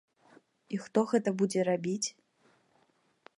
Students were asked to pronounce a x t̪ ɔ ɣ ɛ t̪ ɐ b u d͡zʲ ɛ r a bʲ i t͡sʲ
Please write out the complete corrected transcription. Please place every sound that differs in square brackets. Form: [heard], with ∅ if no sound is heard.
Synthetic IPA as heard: [i] x t̪ ɔ ɣ ɛ t̪ ɐ b u d͡zʲ ɛ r a bʲ i t͡sʲ